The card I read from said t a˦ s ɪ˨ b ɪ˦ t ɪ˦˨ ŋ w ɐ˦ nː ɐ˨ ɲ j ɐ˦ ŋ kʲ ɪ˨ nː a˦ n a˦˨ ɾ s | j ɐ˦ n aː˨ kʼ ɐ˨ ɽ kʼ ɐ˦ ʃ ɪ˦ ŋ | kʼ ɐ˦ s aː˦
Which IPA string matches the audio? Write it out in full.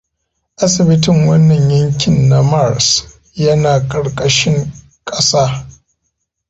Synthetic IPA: ʔ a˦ s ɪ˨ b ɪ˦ t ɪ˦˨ ŋ w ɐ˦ nː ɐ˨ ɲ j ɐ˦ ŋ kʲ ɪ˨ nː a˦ m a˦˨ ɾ s | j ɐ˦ n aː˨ kʼ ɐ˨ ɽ kʼ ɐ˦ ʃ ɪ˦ ŋ | kʼ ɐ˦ s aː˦